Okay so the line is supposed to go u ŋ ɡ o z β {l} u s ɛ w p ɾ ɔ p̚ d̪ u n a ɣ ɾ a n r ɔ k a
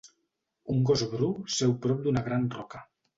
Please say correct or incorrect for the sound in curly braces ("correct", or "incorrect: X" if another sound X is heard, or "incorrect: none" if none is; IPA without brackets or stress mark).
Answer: incorrect: ɾ